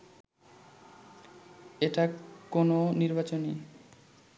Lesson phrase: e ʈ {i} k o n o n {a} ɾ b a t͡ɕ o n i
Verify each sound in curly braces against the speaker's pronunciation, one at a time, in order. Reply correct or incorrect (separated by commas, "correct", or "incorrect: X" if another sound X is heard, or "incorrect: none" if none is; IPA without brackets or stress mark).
incorrect: a, incorrect: i